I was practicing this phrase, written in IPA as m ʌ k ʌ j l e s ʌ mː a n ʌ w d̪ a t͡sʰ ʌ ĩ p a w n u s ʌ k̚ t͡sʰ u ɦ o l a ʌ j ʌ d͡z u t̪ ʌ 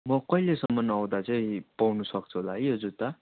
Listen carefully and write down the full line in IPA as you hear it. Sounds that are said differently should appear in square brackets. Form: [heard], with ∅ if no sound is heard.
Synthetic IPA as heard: m ʌ k ʌ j l e s ʌ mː [ʌ] n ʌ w d̪ a [t͡s] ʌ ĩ p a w n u s ʌ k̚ t͡sʰ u ɦ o l a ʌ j ʌ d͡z u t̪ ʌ

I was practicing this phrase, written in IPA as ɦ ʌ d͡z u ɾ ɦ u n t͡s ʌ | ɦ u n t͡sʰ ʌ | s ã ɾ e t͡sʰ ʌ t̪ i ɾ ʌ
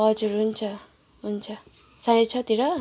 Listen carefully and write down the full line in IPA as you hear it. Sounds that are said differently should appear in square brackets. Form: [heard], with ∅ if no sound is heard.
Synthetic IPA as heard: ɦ ʌ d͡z u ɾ ɦ u n [t͡sʰ] ʌ | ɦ u n t͡sʰ ʌ | s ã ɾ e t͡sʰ ʌ t̪ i ɾ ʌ

